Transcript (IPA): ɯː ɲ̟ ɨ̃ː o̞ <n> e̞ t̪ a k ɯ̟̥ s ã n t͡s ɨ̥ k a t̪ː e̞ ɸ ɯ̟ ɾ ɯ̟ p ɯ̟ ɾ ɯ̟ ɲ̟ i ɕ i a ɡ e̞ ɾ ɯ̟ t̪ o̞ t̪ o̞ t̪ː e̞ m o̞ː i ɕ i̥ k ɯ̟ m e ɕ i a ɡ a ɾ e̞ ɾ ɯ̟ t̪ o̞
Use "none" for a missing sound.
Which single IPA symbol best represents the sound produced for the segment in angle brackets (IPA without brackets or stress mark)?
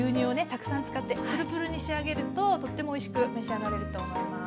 n